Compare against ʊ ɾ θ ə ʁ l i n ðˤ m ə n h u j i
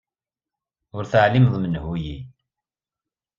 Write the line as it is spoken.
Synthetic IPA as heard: ʊ ɾ θ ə ʕ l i m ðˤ m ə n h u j i